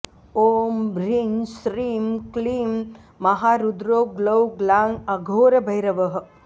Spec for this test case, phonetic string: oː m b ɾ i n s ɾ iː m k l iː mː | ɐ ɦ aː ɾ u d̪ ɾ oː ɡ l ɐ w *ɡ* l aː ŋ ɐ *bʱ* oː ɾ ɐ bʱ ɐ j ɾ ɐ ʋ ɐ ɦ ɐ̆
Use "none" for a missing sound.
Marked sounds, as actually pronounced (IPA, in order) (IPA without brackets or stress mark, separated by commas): ɡ, ɡʱ